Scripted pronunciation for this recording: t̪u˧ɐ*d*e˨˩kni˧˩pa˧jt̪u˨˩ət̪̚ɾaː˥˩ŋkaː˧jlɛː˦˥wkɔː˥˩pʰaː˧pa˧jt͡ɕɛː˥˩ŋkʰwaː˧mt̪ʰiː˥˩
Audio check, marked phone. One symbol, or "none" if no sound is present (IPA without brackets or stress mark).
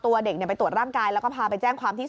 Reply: d